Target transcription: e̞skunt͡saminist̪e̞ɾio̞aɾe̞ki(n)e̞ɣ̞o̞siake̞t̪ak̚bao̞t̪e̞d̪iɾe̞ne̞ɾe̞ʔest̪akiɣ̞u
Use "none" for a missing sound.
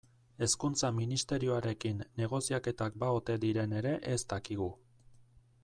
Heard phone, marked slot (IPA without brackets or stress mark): nː